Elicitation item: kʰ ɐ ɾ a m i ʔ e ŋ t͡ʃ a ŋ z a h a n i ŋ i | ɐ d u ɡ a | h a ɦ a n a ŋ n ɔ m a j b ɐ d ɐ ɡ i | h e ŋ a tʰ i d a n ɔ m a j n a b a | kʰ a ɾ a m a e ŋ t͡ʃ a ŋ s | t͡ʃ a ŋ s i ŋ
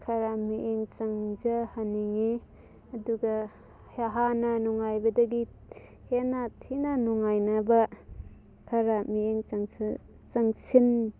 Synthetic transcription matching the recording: kʰ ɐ ɾ a m i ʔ e ŋ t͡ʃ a ŋ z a h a n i ŋ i | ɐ d u ɡ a | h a ɦ a n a n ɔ ŋ a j b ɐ d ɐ ɡ i | h e n a tʰ i n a n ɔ ŋ a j n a b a | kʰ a ɾ a m i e ŋ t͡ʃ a ŋ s | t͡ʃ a ŋ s i n